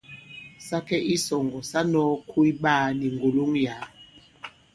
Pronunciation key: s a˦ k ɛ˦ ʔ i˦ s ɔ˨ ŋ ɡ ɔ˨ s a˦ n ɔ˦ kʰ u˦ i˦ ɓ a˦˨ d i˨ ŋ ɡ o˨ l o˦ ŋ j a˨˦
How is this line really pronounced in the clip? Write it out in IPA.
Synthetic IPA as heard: s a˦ k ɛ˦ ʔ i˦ s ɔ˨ ŋ ɡ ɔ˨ s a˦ n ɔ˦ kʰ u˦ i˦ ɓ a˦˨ n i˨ ŋ ɡ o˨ l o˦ ŋ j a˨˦

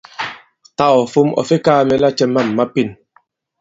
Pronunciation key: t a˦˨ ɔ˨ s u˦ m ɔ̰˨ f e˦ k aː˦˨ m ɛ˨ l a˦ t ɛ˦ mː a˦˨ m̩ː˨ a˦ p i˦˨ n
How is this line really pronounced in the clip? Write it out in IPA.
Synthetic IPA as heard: t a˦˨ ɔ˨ f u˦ m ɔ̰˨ f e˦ k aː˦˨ m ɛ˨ l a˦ t͡ʃ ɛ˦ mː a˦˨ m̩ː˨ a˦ p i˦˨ n

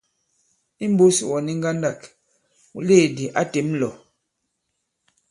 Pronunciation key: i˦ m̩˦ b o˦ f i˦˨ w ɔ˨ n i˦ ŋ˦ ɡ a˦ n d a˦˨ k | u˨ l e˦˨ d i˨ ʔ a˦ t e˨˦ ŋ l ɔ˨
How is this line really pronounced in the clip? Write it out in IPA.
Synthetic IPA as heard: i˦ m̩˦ b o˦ s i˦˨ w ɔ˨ n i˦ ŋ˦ ɡ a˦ n d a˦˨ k | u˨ l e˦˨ d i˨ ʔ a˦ t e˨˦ m l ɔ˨

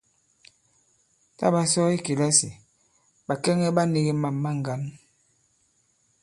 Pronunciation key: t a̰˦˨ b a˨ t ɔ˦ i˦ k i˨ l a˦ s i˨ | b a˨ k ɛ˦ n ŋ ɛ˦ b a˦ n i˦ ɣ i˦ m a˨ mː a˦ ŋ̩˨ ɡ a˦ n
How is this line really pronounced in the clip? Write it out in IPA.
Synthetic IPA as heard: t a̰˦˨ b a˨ s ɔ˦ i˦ k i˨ l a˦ s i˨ | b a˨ k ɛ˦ ŋ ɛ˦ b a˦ n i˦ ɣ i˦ m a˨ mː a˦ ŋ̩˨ ɡ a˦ n

